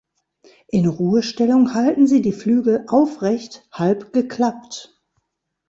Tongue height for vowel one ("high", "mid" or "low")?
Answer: high